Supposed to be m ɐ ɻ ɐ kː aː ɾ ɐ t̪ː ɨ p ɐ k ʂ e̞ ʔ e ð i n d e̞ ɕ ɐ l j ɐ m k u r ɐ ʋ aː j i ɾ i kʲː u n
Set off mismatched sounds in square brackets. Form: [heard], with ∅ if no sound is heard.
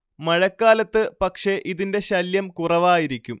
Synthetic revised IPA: m ɐ ɻ ɐ kː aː [l] ɐ t̪ː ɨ p ɐ k ʂ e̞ ʔ [i] ð i n d e̞ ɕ ɐ l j ɐ m k u r ɐ ʋ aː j i ɾ i kʲː u [m]